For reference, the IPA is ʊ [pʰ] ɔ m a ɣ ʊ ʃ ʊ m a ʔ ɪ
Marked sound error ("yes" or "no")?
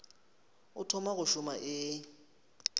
yes